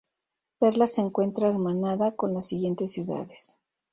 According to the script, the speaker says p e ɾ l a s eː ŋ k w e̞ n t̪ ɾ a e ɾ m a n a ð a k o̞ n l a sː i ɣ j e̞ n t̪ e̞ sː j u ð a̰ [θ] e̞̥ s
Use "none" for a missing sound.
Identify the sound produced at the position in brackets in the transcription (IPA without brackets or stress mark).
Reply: ð